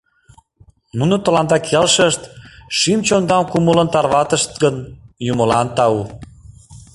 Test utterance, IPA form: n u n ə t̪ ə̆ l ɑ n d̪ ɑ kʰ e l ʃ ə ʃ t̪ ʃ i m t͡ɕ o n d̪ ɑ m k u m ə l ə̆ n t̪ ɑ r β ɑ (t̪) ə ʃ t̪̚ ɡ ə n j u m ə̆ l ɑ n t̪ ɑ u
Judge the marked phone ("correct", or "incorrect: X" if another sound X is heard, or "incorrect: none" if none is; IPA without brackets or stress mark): correct